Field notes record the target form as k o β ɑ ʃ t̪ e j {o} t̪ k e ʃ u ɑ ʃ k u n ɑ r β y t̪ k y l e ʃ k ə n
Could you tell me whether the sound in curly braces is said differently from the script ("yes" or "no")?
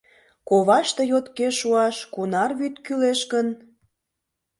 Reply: no